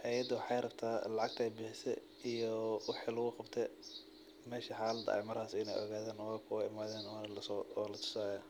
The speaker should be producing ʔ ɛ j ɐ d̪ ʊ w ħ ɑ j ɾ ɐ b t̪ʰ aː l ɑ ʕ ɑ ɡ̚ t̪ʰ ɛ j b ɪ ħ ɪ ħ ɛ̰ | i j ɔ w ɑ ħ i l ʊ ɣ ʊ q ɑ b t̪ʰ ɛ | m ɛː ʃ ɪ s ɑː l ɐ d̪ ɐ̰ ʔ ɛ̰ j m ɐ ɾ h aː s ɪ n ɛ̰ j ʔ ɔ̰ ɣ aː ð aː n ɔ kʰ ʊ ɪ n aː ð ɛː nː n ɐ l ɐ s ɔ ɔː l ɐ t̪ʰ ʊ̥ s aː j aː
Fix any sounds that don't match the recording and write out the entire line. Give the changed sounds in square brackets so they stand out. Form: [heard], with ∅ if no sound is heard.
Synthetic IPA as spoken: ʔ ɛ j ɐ d̪ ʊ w ħ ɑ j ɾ ɐ b t̪ʰ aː l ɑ ʕ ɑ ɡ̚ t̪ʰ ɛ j b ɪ ħ ɪ [s] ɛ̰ | i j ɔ w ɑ ħ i l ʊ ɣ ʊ q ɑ b t̪ʰ ɛ | m ɛː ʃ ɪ [ħ] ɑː l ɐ d̪ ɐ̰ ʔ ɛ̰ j m ɐ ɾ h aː s ɪ n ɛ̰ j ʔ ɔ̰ ɣ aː ð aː n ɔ kʰ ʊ ɪ [m] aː ð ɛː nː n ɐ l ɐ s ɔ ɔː l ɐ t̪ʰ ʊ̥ s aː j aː